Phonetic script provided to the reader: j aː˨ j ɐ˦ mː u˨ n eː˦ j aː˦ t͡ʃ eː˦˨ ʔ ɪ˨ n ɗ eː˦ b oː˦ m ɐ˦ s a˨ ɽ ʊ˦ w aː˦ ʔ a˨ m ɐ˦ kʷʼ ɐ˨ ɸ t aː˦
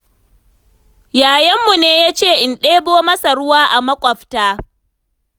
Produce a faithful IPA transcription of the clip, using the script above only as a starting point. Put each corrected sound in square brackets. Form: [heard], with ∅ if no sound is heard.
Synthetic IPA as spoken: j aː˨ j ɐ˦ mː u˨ n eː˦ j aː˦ t͡ʃ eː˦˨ ʔ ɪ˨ n ɗ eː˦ b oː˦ m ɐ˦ s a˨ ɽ ʊ˦ w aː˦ ʔ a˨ m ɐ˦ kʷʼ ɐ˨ ɸ t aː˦